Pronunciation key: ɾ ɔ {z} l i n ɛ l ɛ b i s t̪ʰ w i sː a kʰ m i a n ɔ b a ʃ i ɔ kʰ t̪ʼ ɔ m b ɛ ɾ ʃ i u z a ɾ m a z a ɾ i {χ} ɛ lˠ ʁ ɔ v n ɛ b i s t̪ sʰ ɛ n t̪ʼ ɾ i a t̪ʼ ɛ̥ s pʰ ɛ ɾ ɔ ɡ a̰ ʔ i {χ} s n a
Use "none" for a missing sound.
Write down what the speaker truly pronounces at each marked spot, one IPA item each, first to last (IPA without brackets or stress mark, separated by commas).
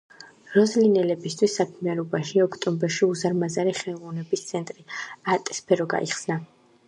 z, χ, χ